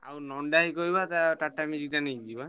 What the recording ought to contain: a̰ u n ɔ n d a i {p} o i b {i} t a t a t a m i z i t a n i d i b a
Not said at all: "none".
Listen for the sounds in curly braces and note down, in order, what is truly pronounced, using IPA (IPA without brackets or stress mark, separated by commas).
k, a